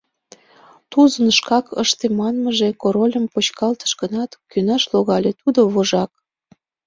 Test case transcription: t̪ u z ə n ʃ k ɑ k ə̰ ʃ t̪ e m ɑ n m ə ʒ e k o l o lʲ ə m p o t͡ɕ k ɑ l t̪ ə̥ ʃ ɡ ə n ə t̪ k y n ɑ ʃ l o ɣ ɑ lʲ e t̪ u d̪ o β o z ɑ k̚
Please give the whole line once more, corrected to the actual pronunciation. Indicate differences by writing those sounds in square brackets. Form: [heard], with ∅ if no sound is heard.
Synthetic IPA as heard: t̪ u z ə n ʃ k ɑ k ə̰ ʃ t̪ e m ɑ n m ə ʒ e k o [ɾ] o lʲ ə m p o t͡ɕ k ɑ l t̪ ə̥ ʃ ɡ ə n [ɑ] t̪ k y n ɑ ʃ l o ɣ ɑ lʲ e t̪ u d̪ o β o [ʒ] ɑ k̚